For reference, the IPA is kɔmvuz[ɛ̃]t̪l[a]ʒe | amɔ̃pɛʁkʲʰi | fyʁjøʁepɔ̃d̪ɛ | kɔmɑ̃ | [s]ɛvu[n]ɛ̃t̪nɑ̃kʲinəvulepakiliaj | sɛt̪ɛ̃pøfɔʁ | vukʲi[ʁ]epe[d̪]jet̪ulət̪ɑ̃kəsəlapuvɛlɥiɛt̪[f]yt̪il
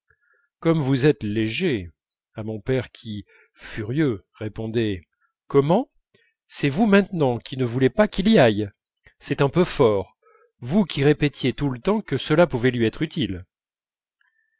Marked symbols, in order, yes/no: no, no, yes, no, yes, no, no

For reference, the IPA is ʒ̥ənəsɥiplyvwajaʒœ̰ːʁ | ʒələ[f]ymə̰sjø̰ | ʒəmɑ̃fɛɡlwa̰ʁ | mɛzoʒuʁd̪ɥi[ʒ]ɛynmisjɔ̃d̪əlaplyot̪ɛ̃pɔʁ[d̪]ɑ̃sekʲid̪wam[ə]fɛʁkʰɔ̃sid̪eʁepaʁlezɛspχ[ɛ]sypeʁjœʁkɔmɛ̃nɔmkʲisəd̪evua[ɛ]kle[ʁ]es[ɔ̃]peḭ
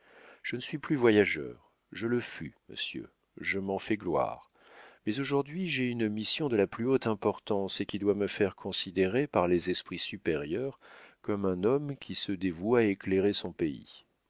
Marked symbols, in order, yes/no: yes, yes, no, yes, no, no, yes, yes

